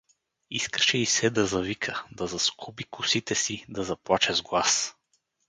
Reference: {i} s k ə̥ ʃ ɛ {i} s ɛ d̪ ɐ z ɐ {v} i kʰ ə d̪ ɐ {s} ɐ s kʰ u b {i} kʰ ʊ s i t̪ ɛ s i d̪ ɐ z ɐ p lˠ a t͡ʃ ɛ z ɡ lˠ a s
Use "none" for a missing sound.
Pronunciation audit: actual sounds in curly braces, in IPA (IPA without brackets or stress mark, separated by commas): i, i, v, z, i